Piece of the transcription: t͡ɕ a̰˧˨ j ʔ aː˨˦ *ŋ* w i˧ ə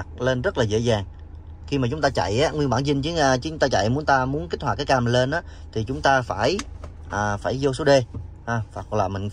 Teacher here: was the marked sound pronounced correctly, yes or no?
yes